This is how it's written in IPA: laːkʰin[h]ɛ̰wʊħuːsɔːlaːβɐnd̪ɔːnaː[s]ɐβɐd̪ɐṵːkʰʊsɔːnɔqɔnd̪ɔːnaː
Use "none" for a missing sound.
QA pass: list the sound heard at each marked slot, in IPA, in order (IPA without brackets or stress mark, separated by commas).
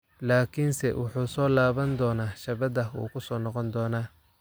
s, ʃ